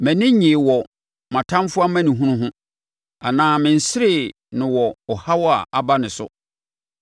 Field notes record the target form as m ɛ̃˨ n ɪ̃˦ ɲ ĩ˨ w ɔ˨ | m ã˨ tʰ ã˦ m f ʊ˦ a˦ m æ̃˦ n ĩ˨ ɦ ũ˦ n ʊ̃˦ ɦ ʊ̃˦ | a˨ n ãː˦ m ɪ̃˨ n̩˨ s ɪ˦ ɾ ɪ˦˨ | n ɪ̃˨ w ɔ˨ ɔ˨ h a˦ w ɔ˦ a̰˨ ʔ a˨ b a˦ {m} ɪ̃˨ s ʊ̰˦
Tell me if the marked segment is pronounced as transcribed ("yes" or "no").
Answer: no